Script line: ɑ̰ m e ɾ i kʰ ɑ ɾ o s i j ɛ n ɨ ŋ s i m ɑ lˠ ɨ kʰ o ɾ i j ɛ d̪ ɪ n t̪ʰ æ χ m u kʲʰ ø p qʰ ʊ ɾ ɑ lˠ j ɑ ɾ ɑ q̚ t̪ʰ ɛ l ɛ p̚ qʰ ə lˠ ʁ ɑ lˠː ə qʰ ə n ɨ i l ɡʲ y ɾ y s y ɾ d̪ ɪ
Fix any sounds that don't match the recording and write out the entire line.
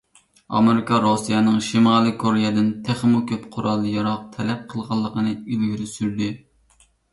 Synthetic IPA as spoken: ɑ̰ m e ɾ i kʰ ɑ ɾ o s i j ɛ n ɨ ŋ ʃ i m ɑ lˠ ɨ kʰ o ɾ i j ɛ d̪ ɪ n t̪ʰ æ χ m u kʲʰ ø p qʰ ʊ ɾ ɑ lˠ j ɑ ɾ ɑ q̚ t̪ʰ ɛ l ɛ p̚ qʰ ə lˠ ʁ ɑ lˠː ə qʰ ə n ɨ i l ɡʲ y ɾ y s y ɾ d̪ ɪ